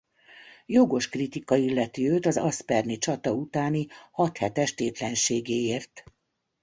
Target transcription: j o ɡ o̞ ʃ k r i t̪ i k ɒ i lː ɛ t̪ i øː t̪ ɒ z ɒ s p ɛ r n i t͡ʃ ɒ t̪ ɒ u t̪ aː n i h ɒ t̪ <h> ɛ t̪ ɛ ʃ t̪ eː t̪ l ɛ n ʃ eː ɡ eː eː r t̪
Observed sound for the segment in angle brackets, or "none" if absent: h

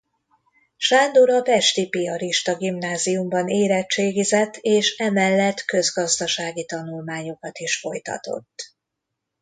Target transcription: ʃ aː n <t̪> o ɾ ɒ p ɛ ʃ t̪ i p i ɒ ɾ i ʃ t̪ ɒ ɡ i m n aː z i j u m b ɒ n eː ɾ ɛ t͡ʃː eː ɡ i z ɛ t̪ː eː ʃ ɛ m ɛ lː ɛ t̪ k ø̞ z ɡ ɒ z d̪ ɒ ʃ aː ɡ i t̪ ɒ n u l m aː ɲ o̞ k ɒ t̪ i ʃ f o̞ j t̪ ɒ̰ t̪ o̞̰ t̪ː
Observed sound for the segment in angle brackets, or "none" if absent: d̪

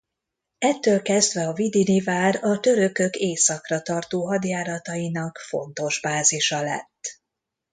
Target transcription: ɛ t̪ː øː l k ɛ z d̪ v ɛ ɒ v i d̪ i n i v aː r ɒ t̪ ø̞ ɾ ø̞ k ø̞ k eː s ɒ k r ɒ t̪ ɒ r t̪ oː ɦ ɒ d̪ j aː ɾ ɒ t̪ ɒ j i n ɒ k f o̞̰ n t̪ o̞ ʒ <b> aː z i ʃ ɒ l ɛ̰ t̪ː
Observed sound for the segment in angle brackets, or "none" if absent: b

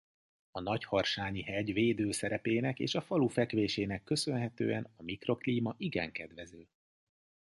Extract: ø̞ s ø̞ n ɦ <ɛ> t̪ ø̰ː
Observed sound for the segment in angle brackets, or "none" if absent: ɛ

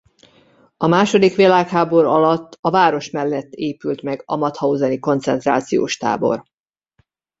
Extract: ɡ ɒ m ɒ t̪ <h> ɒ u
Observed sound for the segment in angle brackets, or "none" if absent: h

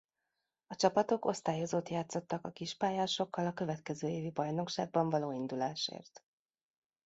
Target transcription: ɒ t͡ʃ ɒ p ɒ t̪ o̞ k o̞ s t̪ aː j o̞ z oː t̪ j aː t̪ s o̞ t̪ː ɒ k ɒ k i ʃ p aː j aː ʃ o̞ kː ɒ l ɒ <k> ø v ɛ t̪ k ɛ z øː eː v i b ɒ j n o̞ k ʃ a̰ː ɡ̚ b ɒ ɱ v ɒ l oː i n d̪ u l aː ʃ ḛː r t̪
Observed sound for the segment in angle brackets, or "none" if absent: k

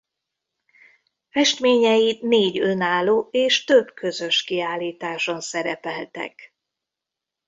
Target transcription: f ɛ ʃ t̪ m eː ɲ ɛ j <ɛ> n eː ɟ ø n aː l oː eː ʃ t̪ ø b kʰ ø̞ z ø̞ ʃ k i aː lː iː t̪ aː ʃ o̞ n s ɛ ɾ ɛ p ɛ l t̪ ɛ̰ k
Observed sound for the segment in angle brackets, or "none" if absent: i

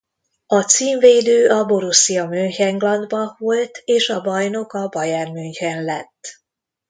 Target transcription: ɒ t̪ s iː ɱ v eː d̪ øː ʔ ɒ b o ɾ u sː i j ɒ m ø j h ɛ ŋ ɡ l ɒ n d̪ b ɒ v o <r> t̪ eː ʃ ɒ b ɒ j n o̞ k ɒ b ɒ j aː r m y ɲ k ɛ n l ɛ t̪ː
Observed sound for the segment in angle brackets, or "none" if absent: l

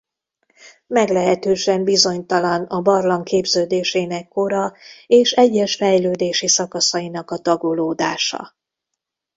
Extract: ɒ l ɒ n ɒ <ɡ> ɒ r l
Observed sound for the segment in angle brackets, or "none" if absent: b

